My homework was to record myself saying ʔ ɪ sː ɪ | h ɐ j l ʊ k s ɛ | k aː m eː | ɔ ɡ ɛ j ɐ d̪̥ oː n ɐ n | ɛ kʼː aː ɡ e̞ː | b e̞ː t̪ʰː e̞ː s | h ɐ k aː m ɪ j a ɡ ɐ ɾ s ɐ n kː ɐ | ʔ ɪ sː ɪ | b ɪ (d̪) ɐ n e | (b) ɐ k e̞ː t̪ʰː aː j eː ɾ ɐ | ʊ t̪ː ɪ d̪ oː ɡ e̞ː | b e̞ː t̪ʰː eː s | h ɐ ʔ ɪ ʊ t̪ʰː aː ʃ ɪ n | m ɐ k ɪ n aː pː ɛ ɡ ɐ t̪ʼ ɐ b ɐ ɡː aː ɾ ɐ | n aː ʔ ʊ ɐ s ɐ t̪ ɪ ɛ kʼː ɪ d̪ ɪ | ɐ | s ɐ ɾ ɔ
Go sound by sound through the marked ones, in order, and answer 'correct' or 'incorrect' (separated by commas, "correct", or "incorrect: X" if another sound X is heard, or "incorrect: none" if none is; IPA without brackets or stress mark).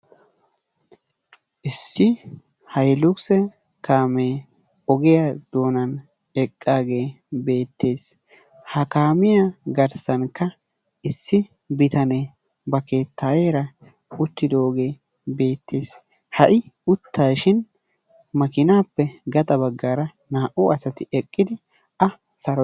incorrect: t̪, correct